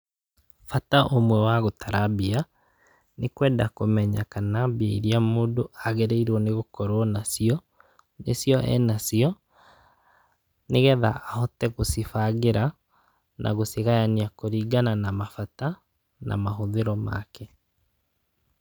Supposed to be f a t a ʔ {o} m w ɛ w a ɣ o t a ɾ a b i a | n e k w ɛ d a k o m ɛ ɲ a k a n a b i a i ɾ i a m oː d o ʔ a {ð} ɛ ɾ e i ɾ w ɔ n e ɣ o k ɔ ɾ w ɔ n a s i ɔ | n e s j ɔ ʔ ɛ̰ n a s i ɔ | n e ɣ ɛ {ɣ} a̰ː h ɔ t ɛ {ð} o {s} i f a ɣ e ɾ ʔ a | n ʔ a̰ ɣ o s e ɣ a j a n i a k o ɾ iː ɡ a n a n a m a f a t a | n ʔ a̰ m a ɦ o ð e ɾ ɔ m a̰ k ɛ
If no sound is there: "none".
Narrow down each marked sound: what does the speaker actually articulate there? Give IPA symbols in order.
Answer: o, ɣ, ð, ɣ, s

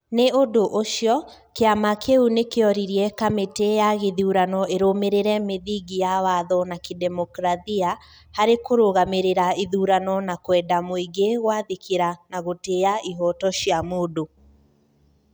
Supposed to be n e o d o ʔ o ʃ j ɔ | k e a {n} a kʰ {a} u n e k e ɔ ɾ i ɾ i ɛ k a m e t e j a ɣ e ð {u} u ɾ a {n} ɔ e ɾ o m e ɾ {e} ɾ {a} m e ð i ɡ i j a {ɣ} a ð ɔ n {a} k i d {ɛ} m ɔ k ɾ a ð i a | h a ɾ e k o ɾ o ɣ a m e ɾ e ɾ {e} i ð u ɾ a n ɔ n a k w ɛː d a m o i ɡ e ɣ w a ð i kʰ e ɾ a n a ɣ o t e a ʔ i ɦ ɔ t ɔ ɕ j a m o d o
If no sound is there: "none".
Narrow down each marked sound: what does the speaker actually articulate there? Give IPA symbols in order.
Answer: m, e, u, n, e, ɛ, w, a, ɛ, a

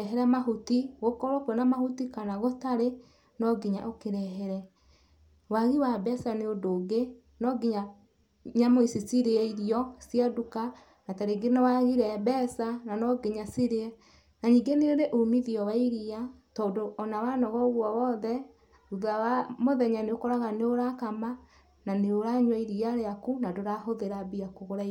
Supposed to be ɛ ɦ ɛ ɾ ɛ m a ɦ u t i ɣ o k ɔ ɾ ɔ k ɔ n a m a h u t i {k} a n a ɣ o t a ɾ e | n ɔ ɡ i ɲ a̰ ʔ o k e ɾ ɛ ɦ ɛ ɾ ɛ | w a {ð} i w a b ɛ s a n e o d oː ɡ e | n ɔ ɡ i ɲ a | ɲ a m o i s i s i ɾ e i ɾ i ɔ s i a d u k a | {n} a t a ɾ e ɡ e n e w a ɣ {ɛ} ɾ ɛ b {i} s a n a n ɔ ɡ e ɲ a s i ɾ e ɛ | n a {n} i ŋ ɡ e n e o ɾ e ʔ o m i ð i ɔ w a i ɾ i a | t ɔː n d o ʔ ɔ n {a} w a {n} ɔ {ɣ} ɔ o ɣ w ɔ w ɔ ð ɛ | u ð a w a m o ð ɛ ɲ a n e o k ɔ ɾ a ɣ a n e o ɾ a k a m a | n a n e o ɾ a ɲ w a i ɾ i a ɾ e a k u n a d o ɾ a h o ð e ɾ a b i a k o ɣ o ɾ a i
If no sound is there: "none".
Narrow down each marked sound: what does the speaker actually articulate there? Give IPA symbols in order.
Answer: k, ɣ, n, i, ɛ, ɲ, a, n, ɣ

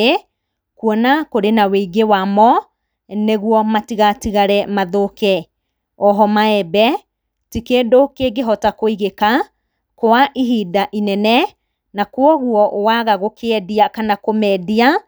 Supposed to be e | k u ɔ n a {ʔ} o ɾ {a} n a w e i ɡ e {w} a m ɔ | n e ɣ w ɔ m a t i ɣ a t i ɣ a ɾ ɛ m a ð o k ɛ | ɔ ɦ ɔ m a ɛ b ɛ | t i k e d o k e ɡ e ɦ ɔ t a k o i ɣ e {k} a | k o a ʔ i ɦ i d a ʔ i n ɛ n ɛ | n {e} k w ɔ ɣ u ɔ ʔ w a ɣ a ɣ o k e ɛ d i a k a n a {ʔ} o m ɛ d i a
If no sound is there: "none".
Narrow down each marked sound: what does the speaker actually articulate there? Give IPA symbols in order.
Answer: k, e, w, k, a, k

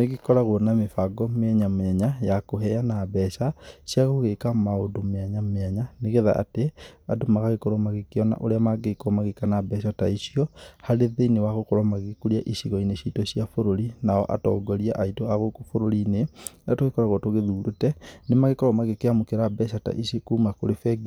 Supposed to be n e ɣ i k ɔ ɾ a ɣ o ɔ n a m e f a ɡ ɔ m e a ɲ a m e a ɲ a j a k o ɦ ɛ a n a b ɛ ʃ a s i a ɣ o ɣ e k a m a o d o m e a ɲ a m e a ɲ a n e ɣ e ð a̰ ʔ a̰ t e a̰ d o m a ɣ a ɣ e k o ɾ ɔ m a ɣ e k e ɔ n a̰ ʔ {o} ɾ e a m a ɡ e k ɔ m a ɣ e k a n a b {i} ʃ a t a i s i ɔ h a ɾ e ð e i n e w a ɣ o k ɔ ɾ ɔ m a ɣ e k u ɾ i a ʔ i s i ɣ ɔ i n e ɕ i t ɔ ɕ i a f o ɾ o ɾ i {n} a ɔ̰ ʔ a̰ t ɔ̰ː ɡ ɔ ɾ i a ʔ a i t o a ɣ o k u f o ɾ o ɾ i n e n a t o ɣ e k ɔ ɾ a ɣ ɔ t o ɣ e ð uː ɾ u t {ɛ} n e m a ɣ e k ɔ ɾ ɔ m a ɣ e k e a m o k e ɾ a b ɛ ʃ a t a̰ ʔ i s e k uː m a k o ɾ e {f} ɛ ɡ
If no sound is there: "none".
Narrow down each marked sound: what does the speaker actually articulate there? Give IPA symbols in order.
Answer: o, ɛ, n, ɛ, f

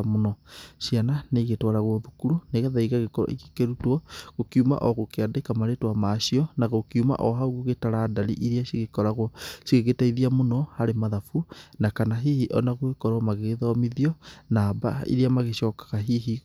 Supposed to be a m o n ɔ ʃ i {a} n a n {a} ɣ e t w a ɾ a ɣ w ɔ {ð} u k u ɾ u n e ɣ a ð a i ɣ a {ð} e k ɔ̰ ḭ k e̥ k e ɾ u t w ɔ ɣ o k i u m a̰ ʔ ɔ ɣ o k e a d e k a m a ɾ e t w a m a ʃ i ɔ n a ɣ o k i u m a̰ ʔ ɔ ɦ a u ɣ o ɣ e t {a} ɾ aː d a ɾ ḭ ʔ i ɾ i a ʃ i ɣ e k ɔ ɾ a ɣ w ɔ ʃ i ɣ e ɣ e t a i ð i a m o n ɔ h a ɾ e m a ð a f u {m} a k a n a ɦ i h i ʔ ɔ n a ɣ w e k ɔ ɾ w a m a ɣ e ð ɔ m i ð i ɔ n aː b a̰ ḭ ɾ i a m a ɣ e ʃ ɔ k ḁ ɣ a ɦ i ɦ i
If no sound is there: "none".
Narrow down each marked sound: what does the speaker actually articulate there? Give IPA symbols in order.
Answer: a, e, ð, ɣ, a, n

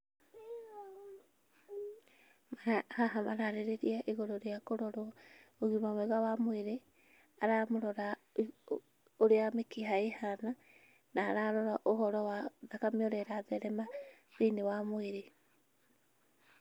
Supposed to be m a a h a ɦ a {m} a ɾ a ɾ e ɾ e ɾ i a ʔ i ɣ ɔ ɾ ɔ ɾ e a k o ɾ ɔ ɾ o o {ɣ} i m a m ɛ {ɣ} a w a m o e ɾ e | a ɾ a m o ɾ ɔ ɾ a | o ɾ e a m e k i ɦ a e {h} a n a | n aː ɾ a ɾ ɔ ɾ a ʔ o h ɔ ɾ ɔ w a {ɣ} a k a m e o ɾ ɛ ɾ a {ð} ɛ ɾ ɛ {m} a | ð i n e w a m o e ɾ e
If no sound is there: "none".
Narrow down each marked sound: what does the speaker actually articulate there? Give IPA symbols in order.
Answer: m, ɣ, ɣ, h, ð, ð, m

